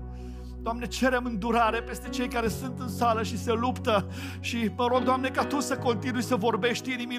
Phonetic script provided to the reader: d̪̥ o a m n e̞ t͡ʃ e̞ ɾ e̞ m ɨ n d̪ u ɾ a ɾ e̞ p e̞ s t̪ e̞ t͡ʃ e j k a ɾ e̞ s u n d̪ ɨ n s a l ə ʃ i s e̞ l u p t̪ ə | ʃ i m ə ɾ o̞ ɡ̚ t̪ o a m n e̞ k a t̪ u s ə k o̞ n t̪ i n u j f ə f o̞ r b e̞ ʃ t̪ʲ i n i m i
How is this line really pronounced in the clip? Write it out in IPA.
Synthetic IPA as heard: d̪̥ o a m n e̞ t͡ʃ e̞ ɾ e̞ m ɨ n d̪ u ɾ a ɾ e̞ p e̞ s t̪ e̞ t͡ʃ e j k a ɾ e̞ s u n t̪ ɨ n s a l ə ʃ i s e̞ l u p t̪ ə | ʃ i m ə ɾ o̞ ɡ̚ d̪ o a m n e̞ k a t̪ u s ə k o̞ n t̪ i n u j s ə v o̞ r b e̞ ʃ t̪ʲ i n i m i